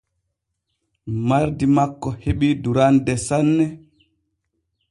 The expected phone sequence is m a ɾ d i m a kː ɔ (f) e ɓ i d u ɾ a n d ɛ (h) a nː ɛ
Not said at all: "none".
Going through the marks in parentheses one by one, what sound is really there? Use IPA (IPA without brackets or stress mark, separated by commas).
h, s